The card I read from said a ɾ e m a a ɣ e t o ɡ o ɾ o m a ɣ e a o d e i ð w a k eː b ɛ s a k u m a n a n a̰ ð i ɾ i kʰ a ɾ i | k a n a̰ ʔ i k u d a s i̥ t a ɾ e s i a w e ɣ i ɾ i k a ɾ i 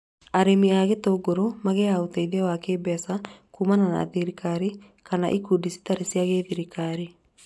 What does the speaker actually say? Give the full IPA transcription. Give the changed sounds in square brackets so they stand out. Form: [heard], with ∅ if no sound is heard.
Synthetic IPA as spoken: a ɾ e m [i] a ɣ e t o ɡ o ɾ o m a ɣ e a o [t] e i ð w a k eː b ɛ s a k u m a n a n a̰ ð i ɾ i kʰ a ɾ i | k a n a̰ ʔ i k u d [i] s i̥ t a ɾ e s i a [ɣ] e [ð] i ɾ i k a ɾ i